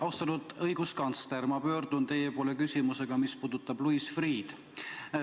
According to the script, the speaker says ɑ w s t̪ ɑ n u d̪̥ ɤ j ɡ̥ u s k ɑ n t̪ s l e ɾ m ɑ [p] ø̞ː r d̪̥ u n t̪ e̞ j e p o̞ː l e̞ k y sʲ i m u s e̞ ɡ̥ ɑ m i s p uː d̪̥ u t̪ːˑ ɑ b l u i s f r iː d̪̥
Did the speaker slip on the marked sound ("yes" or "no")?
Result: no